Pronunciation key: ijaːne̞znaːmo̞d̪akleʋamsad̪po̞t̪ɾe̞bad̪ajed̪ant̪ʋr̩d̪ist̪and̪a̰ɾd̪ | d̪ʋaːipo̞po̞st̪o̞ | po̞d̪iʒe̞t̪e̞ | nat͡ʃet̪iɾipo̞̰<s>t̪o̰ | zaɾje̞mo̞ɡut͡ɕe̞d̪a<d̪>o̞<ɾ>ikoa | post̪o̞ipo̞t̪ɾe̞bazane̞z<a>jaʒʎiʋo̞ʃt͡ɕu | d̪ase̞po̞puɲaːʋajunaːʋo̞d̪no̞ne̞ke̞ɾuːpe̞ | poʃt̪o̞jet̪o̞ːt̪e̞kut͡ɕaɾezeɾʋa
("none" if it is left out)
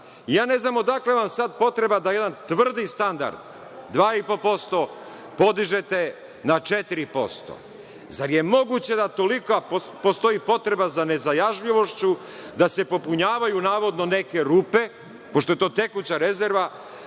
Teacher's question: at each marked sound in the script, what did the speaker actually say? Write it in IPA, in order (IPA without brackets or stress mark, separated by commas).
s, t̪, l, a